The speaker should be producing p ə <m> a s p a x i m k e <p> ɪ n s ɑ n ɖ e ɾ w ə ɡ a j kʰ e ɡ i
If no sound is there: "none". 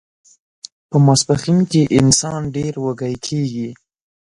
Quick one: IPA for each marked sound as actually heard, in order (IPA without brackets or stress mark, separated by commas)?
m, ʔ